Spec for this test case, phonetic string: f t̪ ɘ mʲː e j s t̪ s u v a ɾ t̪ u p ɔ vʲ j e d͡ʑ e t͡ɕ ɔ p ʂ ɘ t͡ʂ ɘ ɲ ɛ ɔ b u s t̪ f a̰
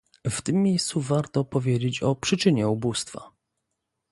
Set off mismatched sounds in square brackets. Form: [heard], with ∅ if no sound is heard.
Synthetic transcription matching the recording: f t̪ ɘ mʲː e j s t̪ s u v a ɾ t̪ [ɔ] p ɔ vʲ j e d͡ʑ e t͡ɕ ɔ p ʂ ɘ t͡ʂ ɘ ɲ ɛ [u] b u s t̪ f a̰